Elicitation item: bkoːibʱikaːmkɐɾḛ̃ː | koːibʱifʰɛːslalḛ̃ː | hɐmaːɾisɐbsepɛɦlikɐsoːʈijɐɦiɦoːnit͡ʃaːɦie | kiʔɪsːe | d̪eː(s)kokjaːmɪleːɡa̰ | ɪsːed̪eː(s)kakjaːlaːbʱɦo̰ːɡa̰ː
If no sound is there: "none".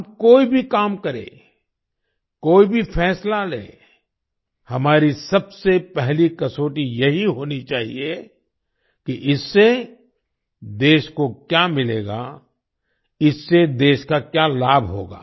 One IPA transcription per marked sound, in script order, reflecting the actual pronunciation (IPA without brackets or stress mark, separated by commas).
ʃ, ʃ